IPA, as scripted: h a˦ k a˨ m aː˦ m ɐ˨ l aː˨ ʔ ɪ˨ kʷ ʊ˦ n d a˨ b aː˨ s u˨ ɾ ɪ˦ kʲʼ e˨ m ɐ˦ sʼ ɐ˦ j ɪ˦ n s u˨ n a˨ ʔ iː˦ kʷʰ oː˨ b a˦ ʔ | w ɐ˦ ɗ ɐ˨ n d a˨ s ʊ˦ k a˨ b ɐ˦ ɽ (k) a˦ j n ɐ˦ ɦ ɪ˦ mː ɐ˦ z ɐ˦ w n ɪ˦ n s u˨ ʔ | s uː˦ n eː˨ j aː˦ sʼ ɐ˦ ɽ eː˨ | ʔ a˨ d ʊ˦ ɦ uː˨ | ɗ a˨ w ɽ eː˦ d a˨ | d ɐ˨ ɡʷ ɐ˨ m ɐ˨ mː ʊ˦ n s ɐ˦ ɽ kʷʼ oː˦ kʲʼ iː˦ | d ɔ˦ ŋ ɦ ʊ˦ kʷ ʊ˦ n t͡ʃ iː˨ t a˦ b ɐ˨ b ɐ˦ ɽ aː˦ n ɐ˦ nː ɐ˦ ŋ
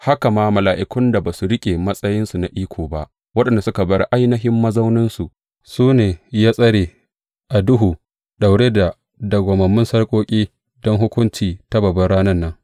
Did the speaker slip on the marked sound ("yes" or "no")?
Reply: yes